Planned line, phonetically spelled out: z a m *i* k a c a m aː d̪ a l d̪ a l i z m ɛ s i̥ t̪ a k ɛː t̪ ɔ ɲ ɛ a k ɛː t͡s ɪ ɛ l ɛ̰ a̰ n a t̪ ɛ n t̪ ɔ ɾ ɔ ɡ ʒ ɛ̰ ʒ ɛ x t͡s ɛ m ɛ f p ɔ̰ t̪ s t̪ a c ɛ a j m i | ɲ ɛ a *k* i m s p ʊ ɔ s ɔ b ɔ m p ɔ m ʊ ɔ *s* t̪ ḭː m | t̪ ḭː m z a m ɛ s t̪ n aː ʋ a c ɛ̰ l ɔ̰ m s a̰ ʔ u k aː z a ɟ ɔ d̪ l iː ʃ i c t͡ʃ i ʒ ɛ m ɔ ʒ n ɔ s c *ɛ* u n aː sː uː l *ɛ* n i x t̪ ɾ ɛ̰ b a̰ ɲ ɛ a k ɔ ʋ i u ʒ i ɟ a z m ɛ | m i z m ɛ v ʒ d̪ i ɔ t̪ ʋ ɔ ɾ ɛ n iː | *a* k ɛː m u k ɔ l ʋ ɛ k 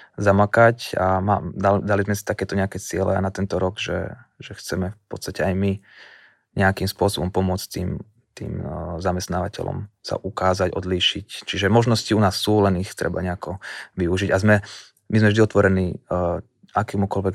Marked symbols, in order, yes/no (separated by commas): no, yes, no, no, yes, yes